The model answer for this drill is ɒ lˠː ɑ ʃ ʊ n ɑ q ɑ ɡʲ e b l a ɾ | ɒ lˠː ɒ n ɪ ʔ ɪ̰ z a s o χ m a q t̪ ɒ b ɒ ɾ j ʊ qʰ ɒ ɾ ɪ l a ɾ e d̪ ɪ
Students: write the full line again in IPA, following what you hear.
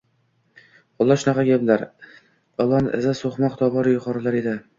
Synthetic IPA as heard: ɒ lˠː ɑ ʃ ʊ n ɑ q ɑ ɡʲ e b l a ɾ | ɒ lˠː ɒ n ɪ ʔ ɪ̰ z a s o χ m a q t̪ ɒ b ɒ ɾ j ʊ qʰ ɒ ɾ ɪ l a ɾ e d̪ ɪ